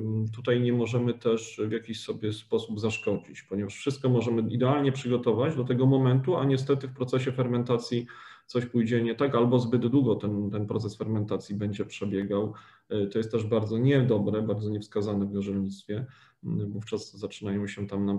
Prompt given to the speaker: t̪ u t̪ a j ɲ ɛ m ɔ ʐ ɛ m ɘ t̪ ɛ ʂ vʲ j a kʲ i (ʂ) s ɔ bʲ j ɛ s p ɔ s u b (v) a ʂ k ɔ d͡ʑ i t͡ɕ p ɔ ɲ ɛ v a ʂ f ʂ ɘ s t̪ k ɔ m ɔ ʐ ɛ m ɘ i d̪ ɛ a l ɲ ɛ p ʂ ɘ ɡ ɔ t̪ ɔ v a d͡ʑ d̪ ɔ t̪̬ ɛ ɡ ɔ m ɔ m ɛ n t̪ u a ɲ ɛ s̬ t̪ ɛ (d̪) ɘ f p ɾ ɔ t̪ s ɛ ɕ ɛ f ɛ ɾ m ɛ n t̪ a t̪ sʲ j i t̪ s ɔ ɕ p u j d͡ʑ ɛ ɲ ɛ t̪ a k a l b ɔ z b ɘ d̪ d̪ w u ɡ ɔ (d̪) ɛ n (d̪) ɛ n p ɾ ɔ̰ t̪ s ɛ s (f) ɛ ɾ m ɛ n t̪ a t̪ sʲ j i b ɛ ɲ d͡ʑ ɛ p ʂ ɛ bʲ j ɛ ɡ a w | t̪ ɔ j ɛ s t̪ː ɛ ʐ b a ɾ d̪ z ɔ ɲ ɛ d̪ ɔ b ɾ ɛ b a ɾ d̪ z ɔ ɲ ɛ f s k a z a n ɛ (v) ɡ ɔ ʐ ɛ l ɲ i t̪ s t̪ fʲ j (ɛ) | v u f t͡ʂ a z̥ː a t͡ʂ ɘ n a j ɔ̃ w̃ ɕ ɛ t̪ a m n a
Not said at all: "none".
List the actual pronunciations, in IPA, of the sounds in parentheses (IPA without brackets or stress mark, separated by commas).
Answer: ɕ, z, t̪, t̪, t̪, f, v, ɛ